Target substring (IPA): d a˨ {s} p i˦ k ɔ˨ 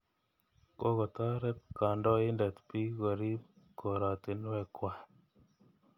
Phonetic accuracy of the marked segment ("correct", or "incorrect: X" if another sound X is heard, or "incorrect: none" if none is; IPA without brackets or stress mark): incorrect: t